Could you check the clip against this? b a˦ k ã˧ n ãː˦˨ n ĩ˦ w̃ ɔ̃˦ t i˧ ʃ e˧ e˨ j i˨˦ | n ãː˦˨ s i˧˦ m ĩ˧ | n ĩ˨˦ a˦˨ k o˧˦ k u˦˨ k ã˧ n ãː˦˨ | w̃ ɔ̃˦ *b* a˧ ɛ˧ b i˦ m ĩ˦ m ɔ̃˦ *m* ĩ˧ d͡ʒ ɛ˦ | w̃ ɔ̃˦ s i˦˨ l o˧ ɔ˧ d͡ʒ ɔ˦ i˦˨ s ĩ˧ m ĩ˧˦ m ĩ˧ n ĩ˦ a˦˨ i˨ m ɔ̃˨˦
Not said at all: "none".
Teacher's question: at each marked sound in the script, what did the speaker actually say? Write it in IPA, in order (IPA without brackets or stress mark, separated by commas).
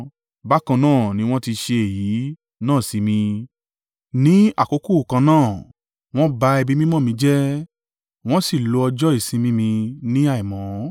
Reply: b, m